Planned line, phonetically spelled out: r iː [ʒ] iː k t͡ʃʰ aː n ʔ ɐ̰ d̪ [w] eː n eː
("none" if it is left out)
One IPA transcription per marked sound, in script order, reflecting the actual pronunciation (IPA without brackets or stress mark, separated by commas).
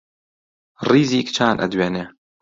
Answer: z, w